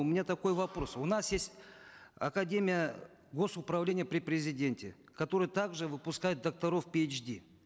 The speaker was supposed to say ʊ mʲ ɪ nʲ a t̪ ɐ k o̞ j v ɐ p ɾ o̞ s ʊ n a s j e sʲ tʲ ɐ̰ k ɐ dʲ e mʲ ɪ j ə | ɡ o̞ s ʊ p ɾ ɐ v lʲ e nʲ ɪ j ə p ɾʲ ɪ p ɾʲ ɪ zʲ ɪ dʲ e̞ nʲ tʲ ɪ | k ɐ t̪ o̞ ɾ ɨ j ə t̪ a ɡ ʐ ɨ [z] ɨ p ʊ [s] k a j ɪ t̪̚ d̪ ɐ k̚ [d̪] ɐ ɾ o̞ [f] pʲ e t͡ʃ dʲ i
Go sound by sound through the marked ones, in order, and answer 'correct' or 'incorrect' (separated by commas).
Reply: incorrect, correct, incorrect, correct